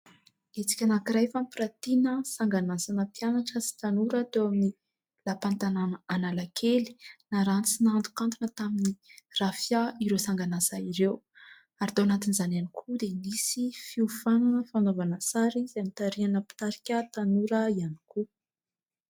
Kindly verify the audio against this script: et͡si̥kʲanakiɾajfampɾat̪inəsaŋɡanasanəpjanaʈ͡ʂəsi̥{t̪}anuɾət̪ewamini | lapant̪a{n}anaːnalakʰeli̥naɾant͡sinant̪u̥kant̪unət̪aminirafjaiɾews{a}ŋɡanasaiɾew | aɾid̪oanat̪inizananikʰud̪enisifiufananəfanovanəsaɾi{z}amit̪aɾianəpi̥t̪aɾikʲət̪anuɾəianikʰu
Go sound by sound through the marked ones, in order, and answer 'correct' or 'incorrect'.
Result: correct, correct, correct, correct

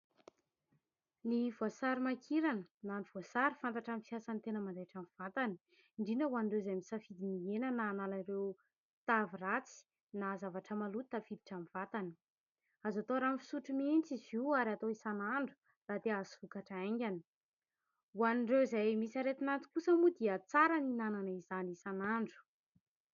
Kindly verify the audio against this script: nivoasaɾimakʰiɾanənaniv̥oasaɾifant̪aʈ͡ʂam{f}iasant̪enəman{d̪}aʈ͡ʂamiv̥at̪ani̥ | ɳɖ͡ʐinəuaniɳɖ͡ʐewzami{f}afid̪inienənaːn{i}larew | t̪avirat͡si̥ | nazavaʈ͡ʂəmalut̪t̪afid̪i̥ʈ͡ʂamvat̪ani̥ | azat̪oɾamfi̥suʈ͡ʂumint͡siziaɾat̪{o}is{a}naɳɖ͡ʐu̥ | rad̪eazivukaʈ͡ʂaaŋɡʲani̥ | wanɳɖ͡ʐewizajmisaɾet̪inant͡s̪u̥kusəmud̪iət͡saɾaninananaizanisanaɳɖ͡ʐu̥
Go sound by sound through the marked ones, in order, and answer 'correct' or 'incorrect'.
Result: correct, correct, incorrect: s, incorrect: a, correct, correct

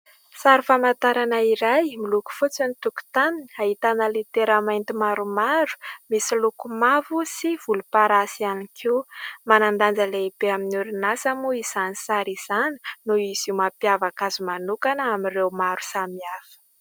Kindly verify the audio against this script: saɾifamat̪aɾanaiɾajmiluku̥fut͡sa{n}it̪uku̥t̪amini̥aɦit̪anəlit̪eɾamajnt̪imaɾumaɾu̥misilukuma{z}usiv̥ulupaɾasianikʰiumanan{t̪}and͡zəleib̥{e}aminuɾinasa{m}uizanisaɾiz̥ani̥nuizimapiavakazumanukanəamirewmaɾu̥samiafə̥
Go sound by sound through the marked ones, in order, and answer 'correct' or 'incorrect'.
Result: correct, incorrect: v, incorrect: d̪, correct, correct

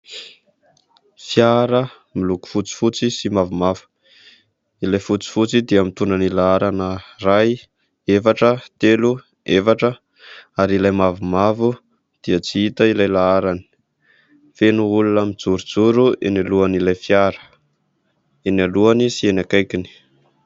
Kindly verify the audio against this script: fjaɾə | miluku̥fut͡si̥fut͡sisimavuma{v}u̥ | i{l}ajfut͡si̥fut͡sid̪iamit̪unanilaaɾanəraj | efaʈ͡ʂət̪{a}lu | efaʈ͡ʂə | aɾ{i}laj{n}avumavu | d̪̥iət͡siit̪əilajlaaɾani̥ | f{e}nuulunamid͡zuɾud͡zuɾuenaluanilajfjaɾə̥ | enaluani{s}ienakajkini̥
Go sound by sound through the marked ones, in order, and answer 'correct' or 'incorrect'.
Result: correct, correct, incorrect: e, correct, incorrect: m, correct, correct

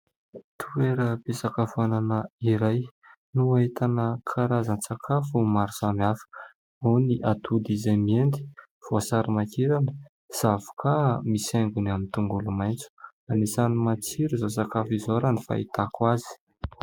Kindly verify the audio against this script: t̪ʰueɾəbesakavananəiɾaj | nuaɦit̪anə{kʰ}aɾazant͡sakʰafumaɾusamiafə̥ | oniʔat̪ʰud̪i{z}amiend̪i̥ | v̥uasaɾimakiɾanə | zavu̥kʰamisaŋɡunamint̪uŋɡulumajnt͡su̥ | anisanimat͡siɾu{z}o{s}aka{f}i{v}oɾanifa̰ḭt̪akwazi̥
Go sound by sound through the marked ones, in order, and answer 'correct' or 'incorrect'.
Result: correct, correct, correct, correct, correct, incorrect: z

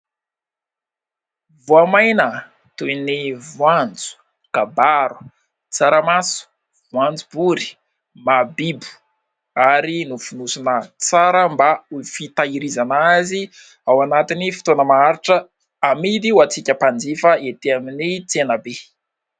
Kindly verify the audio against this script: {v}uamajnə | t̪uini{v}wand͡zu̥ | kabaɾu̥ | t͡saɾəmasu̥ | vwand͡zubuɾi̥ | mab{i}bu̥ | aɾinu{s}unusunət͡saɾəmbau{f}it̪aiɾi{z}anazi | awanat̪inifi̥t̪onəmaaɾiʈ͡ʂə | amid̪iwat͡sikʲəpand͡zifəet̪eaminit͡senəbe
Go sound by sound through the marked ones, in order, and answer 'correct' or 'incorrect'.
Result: correct, correct, correct, incorrect: f, correct, correct

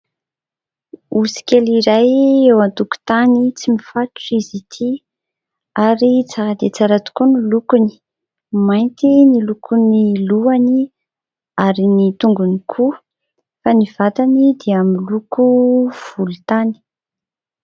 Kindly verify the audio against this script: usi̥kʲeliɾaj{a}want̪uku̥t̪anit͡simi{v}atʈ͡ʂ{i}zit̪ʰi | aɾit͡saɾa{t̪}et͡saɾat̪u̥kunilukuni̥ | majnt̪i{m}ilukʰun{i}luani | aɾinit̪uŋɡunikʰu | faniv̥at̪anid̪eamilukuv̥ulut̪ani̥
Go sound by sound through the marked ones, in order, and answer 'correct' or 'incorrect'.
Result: incorrect: e, incorrect: f, correct, incorrect: d̪, incorrect: n, correct

